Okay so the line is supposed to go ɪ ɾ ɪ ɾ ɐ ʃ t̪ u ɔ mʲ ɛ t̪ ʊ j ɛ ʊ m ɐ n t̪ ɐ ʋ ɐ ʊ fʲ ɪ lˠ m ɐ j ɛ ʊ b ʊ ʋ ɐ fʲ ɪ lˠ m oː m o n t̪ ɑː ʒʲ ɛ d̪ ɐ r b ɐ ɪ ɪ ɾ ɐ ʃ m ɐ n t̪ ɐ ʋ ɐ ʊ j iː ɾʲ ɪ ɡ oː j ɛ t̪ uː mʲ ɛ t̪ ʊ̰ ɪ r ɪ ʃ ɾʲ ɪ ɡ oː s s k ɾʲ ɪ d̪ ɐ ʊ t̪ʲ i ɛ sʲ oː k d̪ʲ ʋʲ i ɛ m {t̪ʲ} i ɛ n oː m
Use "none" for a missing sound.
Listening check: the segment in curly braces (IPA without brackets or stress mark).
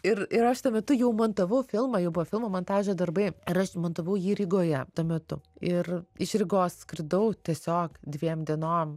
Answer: d̪ʲ